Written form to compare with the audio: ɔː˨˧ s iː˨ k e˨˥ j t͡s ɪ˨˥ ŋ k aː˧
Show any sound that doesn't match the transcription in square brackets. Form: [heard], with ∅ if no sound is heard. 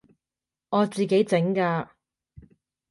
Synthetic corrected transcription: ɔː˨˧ [t͡s] iː˨ k e˨˥ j t͡s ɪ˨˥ ŋ k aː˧